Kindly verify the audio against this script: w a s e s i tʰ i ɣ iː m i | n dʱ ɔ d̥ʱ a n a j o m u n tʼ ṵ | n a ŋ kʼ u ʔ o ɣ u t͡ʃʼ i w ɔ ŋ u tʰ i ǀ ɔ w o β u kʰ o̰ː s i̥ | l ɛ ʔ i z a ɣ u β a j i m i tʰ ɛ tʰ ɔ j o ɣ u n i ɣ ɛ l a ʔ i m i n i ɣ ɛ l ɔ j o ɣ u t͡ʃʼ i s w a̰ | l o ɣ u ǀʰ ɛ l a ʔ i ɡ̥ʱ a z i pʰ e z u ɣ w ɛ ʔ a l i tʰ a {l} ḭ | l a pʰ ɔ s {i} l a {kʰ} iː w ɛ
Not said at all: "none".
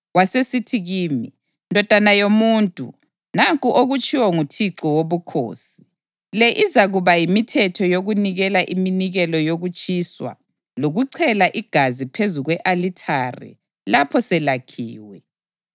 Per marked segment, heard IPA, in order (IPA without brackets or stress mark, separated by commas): r, ɛ, kʰ